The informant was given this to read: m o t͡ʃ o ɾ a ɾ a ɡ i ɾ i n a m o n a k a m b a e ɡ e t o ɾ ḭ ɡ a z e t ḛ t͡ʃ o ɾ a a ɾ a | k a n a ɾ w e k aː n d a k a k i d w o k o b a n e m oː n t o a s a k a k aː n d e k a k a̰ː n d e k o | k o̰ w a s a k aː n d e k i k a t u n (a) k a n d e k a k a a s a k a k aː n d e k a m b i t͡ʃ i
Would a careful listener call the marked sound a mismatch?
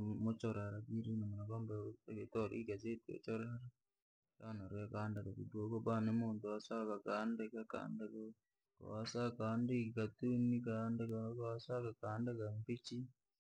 yes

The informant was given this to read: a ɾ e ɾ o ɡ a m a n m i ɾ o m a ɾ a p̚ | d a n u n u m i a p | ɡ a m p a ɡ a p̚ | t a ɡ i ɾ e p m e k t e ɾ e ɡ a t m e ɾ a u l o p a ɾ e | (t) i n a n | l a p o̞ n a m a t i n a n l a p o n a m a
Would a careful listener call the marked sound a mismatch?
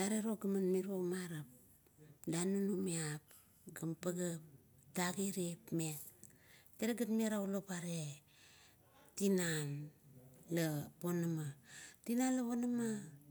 no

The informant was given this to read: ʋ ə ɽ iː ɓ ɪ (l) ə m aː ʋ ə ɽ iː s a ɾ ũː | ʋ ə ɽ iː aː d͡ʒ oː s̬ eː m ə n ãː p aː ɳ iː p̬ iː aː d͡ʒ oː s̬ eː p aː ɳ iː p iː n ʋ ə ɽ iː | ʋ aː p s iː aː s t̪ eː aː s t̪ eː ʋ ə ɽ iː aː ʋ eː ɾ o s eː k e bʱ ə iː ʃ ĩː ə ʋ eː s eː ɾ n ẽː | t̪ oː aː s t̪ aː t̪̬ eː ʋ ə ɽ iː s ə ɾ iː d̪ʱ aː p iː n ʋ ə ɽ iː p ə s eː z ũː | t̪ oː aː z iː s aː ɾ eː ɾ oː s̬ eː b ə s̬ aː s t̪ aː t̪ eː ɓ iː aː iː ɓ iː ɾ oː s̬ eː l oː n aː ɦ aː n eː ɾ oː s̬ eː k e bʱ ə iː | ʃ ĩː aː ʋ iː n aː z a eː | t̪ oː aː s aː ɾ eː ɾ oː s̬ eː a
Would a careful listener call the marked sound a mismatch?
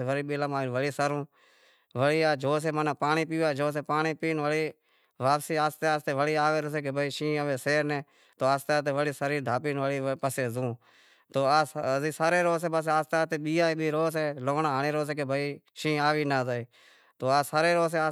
no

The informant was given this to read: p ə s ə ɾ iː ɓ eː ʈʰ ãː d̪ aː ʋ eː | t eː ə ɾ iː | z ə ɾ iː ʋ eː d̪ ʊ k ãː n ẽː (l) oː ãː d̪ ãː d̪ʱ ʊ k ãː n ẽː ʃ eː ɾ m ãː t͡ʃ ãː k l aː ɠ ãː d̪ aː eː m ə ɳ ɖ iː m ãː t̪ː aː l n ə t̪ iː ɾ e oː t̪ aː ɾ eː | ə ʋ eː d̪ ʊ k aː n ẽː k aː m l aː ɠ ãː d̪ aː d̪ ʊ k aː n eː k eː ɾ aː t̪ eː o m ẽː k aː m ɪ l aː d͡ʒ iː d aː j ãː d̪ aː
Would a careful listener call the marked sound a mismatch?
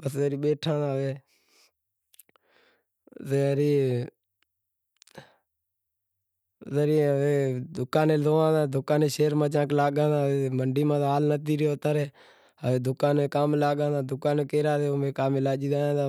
no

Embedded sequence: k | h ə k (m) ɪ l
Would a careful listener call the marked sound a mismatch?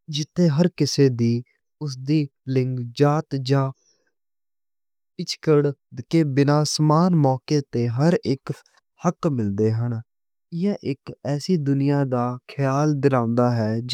no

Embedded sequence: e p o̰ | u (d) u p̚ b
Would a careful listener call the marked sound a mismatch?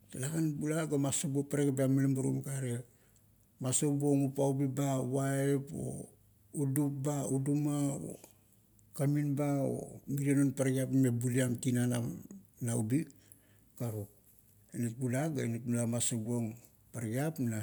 no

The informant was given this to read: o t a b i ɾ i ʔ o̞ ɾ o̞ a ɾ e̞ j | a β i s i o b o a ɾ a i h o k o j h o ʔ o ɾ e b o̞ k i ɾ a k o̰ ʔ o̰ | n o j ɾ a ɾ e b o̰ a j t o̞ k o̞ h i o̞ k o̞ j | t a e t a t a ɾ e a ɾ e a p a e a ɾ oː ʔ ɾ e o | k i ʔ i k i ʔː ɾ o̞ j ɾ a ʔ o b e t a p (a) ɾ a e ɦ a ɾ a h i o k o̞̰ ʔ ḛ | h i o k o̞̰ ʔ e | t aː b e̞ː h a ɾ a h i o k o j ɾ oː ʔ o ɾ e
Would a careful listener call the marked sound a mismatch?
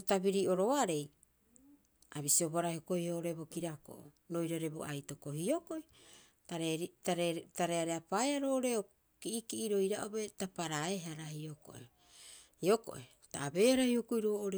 no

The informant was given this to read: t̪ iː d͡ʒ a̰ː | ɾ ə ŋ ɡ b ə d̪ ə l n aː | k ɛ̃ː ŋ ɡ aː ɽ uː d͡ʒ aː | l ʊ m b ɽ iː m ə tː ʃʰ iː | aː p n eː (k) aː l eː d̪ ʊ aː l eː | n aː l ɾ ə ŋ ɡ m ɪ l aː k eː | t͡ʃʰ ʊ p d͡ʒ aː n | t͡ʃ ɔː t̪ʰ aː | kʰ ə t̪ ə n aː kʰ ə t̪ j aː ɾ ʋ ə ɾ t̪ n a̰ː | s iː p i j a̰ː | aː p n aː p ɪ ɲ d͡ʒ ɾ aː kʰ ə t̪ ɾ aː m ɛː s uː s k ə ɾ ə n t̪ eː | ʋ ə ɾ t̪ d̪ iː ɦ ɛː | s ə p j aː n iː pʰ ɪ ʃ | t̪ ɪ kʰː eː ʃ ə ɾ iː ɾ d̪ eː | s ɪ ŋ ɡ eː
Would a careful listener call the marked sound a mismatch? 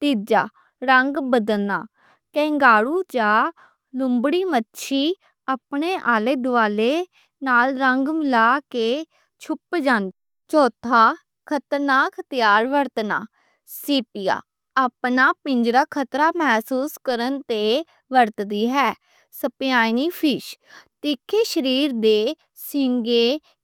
yes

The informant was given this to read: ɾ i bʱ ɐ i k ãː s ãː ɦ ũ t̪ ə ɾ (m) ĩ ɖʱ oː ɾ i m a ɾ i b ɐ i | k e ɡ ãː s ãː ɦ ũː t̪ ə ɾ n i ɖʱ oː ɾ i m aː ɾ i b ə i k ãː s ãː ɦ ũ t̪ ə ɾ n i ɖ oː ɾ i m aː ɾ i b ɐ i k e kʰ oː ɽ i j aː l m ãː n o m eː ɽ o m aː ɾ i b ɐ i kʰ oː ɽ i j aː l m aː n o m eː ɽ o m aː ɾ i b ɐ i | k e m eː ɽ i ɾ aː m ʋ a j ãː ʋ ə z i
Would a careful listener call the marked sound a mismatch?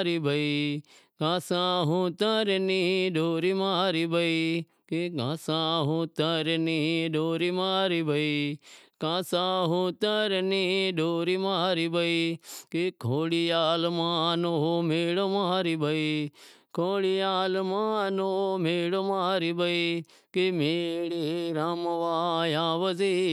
yes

